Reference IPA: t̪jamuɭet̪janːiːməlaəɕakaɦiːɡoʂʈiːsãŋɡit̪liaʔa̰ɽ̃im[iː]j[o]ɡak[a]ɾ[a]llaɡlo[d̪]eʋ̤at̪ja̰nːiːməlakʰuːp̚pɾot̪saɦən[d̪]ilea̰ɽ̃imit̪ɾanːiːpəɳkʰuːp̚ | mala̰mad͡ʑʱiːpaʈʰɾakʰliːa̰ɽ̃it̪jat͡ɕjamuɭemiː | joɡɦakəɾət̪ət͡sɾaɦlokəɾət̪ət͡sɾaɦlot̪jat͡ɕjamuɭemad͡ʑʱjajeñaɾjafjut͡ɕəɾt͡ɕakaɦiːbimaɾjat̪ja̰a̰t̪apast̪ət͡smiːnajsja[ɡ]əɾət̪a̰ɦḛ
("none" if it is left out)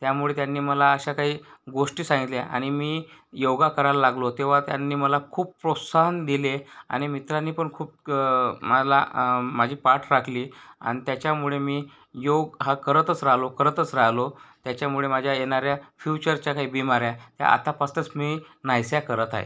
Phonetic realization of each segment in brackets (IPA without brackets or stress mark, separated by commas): iː, o, ə, a, t̪, d̪, k